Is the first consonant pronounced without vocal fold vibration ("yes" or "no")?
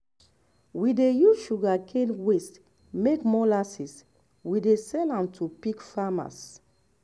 no